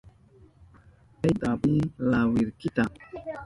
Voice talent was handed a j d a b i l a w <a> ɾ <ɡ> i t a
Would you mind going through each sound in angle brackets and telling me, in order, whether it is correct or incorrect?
incorrect, incorrect

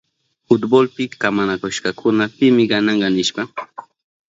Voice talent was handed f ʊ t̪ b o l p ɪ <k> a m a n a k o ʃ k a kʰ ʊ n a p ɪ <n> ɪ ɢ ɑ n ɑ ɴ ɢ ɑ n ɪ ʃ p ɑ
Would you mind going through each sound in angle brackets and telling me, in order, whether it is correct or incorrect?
correct, incorrect

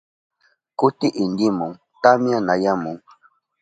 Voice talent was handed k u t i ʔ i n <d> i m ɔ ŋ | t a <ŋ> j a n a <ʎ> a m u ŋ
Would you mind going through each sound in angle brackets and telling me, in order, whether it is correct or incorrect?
correct, incorrect, incorrect

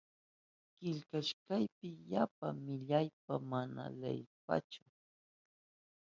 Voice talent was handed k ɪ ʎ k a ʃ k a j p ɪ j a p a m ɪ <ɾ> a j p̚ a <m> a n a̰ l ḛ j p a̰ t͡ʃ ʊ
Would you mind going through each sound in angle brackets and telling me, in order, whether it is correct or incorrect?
incorrect, correct

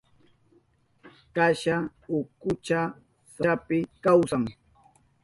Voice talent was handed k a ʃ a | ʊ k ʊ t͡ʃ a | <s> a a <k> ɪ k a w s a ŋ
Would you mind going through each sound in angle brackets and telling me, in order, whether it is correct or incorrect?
correct, incorrect

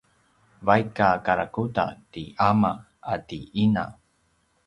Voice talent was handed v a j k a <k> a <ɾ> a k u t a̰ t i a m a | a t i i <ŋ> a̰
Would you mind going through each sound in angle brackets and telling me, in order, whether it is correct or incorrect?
correct, correct, incorrect

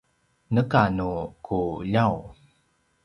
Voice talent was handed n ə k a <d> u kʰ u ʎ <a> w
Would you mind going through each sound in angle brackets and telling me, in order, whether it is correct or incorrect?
incorrect, correct

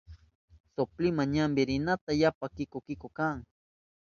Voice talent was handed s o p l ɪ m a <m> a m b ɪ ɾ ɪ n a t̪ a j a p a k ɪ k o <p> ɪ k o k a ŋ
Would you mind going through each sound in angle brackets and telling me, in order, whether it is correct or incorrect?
incorrect, incorrect

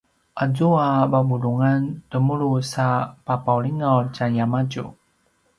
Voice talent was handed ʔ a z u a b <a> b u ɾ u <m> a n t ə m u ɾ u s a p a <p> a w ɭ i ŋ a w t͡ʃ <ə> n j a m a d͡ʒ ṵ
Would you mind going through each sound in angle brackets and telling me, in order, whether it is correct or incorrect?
correct, incorrect, correct, incorrect

